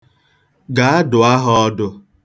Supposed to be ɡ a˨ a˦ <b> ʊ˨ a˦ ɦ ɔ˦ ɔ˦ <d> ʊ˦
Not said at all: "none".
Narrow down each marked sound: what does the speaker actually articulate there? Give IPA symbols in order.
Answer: d, d

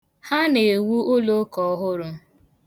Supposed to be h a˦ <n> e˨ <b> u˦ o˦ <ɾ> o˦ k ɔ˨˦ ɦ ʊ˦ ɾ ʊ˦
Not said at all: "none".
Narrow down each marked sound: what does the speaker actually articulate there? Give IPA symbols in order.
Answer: n, w, l

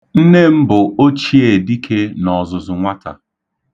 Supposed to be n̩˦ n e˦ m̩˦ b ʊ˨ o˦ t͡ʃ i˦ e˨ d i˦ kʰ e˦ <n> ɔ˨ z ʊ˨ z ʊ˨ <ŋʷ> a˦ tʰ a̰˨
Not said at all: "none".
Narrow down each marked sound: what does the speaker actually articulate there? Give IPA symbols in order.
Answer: n, ŋʷ

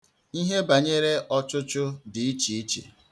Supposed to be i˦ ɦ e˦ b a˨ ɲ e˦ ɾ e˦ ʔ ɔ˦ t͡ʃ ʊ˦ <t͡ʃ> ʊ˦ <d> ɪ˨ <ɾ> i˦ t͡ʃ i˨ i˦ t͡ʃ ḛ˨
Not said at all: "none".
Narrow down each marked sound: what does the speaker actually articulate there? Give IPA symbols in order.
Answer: t͡ʃ, d, none

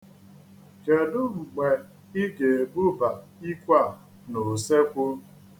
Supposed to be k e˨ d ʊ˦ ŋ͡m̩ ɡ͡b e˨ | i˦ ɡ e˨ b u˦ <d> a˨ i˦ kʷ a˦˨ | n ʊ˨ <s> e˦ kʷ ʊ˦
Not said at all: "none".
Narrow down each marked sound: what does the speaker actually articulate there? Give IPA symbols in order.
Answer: b, s

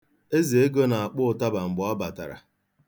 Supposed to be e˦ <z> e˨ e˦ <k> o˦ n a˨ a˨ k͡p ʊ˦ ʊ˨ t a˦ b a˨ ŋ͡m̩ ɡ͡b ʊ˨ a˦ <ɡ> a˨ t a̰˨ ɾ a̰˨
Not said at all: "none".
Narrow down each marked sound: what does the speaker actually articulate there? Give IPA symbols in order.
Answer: z, ɡ, b

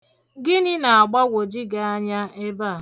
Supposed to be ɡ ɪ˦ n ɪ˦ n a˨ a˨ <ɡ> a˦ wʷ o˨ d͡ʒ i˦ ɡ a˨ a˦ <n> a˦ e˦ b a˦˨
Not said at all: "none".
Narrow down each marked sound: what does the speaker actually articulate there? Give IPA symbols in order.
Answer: ɡ͡b, ɲ

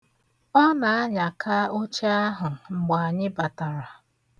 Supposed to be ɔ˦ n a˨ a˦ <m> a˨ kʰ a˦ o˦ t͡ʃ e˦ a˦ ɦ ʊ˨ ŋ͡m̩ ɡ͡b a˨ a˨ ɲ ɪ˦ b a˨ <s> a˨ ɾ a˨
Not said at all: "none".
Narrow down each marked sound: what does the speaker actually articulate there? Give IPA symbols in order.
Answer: ɲ, t

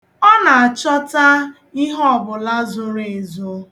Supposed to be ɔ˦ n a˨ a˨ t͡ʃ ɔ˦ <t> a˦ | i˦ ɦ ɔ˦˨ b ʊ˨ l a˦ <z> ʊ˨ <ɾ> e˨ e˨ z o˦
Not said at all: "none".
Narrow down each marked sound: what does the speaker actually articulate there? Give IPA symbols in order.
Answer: t, z, ɾ

